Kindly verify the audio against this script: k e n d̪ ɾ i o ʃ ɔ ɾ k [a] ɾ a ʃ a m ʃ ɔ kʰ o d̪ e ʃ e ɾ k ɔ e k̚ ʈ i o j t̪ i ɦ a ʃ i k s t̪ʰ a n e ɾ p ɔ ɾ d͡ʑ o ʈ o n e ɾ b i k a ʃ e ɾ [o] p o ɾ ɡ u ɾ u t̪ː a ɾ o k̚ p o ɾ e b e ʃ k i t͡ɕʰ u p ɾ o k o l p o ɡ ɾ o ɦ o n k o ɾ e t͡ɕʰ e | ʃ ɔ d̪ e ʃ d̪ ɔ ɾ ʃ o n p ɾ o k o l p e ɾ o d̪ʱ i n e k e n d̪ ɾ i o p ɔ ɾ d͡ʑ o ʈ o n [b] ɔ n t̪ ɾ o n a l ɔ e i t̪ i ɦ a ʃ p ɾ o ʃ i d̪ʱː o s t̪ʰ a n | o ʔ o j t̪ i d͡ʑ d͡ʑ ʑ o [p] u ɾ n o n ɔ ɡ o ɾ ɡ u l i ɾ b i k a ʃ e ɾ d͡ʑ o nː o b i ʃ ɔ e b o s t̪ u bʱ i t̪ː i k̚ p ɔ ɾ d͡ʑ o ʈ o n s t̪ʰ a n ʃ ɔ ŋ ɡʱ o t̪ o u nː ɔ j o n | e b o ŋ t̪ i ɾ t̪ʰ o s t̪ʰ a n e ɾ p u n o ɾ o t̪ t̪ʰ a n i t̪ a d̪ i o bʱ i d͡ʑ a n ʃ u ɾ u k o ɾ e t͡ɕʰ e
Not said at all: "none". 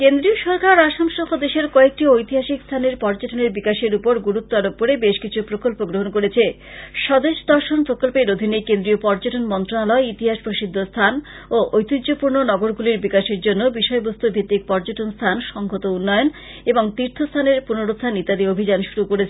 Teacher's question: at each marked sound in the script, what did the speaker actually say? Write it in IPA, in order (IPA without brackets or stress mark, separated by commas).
a, u, m, p